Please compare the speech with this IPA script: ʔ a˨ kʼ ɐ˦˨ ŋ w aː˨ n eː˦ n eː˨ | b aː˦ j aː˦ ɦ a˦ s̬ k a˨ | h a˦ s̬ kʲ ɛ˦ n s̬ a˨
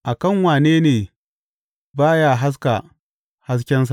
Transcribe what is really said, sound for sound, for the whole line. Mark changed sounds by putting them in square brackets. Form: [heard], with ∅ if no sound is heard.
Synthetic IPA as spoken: ʔ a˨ [k] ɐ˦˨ ŋ w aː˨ n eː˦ n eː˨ | b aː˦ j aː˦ ɦ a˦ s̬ k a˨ | h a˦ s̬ kʲ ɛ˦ n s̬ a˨